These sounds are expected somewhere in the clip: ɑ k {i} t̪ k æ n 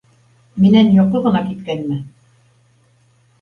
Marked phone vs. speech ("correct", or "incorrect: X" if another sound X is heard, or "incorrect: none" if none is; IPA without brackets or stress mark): correct